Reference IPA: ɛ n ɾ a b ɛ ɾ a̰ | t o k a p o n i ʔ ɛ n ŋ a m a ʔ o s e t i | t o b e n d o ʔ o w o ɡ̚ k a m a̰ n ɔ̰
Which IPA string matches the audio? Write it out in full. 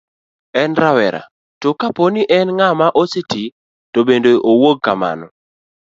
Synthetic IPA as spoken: ɛ n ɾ a w ɛ ɾ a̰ | t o k a p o n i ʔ ɛ n ŋ a m a ʔ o s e t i | t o b e n d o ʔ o w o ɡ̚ k a m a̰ n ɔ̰

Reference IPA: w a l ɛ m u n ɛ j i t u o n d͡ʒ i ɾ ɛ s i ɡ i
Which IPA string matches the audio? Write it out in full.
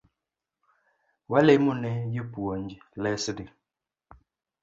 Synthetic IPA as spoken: w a l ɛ m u n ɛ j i p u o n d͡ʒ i l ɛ s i d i

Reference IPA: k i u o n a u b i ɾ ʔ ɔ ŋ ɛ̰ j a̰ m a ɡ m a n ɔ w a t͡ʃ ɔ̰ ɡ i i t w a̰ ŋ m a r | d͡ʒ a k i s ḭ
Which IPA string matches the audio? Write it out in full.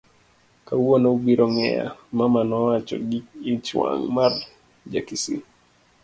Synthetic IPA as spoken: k a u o n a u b i ɾ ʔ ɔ ŋ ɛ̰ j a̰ m a m a n ɔ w a t͡ʃ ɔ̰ ɡ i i t͡ʃ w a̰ ŋ m a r | d͡ʒ a k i s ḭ

